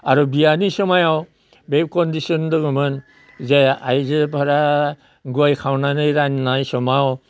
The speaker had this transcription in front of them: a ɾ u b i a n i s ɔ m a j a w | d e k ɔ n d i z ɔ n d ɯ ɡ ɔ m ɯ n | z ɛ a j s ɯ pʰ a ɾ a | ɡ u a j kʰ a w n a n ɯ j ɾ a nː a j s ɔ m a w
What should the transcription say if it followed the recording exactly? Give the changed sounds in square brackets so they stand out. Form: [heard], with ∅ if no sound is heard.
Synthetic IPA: a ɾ u b i a n i s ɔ m a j a w | [b] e k ɔ n d i [s] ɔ n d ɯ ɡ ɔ m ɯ n | z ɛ a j [z] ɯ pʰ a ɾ a | ɡ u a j kʰ a w n a n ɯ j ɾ a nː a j s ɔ m a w